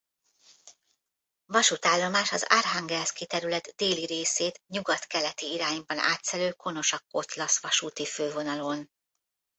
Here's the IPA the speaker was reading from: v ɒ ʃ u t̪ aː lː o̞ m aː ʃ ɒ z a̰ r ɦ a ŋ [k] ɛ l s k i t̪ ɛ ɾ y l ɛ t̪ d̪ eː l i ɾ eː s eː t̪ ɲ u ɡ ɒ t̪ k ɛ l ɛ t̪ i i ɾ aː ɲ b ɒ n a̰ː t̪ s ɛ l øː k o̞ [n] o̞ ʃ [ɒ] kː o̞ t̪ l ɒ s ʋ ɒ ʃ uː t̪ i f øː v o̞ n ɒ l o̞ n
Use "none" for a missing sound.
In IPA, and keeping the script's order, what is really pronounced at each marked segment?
ɡ, n, ɒ

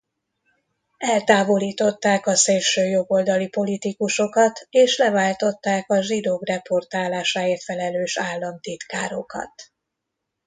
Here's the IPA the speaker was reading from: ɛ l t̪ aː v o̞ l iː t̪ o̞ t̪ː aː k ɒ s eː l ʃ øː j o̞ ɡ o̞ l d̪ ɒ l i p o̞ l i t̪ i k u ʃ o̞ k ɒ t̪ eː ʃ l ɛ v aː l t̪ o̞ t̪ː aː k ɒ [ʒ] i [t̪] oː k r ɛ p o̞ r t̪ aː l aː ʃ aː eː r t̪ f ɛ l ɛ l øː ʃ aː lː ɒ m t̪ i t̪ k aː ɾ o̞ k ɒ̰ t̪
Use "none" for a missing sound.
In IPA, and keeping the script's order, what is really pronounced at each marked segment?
ʒ, d̪

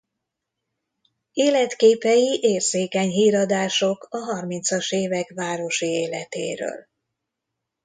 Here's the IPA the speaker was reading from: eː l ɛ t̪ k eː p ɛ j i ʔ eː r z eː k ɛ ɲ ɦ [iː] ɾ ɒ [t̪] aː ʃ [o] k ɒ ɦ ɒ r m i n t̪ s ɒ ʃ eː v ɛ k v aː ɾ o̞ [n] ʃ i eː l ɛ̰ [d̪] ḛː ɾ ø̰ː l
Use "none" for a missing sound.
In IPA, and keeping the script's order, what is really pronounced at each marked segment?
iː, d̪, o, none, t̪

